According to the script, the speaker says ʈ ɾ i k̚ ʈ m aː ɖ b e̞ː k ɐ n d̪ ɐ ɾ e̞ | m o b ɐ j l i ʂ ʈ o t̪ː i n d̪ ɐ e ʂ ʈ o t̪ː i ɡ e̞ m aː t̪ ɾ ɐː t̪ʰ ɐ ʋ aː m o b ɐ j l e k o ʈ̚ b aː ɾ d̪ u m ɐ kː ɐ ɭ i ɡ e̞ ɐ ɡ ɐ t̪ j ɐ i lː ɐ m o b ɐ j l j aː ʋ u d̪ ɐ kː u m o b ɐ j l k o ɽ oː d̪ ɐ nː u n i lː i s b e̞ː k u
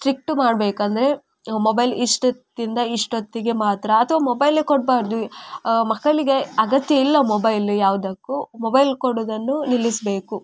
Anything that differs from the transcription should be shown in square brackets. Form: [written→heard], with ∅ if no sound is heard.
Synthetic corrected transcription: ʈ ɾ i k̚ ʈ m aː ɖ b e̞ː k ɐ n d̪ ɐ ɾ e̞ | m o b ɐ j l i ʂ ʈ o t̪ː i n d̪ ɐ [e→i] ʂ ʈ o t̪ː i ɡ e̞ m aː t̪ ɾ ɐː t̪ʰ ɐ ʋ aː m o b ɐ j l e k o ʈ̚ b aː ɾ d̪ u m ɐ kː ɐ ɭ i ɡ e̞ ɐ ɡ ɐ t̪ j ɐ i lː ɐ m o b ɐ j l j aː ʋ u d̪ ɐ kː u m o b ɐ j l k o ɽ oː d̪ ɐ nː u n i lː i s b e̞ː k u